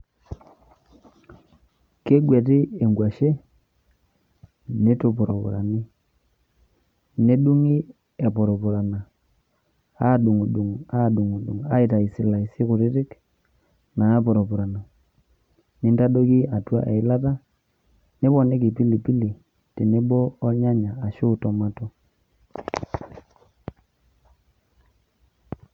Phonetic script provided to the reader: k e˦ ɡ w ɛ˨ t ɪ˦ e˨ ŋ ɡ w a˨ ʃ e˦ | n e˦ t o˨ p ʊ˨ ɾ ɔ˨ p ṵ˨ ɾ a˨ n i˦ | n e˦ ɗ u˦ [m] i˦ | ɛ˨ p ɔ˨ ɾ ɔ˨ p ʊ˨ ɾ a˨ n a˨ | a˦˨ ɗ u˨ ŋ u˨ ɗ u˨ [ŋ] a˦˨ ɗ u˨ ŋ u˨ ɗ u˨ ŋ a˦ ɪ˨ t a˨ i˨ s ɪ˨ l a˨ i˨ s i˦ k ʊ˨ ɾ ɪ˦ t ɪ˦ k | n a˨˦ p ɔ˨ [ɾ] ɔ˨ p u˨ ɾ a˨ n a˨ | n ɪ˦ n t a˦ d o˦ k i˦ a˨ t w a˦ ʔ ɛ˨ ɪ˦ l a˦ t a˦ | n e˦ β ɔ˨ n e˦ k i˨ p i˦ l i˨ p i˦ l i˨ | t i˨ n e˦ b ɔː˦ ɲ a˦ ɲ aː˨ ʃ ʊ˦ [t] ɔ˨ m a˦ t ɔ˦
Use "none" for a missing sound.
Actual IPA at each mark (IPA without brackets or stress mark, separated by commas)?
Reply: ŋ, ŋ, ɾ, t